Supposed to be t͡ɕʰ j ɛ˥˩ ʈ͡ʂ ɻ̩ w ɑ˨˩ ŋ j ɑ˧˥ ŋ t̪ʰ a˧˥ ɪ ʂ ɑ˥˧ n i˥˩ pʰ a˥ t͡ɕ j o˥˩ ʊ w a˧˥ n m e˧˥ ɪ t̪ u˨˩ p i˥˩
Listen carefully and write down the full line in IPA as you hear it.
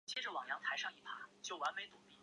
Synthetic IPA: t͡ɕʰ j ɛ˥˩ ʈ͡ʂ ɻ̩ w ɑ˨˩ ŋ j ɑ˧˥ ŋ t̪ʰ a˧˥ ɪ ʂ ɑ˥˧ ŋ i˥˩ pʰ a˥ t͡ɕ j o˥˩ ʊ w a˧˥ n m e˧˥ ɪ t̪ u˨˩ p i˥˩